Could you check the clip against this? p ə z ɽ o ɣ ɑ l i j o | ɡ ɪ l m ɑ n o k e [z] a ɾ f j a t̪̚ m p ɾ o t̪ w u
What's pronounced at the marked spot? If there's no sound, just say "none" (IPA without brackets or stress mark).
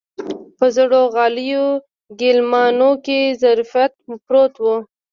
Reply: z